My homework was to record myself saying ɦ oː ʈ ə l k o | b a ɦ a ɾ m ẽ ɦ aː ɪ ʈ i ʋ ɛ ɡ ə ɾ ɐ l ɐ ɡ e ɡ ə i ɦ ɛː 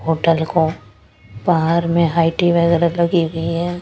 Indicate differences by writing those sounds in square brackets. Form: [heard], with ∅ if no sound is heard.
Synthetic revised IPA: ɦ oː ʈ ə l k o | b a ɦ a ɾ m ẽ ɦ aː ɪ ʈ i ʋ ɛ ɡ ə ɾ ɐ l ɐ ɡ [i] ɡ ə i ɦ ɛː